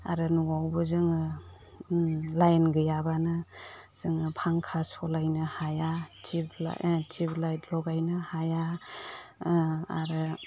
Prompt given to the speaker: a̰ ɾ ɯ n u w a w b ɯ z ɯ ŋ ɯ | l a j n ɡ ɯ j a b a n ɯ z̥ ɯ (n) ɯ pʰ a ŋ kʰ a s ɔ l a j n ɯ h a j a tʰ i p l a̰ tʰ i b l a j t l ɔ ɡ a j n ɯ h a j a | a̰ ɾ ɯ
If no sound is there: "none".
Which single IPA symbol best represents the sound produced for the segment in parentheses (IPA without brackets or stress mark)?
ŋ